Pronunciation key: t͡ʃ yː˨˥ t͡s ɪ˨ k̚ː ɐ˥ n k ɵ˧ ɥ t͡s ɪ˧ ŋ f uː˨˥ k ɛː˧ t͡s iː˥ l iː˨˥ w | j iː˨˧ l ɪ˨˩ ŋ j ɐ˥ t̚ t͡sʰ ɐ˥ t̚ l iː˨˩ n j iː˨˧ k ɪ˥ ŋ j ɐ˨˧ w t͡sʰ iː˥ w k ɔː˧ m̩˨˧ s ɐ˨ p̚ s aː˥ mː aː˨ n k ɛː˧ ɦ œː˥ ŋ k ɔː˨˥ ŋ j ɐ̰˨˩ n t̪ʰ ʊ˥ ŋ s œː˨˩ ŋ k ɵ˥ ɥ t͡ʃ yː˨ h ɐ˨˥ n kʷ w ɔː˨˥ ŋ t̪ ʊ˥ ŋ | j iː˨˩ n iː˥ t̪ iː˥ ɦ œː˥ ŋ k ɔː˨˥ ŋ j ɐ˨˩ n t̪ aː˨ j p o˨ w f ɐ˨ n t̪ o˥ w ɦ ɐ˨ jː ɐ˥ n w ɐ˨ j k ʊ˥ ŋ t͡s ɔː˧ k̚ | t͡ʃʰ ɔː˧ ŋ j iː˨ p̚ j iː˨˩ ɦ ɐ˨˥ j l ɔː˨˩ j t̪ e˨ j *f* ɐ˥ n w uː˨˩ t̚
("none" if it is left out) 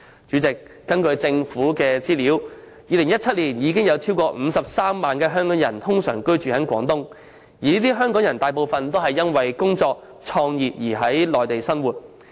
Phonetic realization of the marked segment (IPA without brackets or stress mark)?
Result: s